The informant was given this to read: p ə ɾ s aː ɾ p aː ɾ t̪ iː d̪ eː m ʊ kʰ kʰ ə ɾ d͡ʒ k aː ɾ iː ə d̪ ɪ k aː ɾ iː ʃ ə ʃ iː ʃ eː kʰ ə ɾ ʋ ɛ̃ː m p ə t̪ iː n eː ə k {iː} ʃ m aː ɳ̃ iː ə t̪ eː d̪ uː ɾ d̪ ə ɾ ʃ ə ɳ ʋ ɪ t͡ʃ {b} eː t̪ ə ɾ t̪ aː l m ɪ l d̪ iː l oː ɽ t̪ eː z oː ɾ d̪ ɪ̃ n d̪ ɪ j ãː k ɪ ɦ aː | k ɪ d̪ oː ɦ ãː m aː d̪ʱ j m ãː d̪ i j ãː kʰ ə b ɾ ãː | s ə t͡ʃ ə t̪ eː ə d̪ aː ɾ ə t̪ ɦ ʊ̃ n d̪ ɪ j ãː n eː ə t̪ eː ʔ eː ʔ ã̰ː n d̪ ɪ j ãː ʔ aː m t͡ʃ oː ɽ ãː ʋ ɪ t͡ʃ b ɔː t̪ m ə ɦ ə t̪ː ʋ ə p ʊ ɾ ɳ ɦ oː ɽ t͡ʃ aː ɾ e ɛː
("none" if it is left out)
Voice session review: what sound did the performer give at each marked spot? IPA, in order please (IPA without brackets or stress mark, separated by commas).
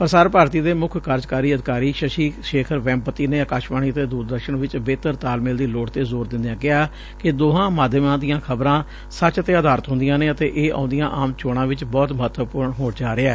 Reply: aː, b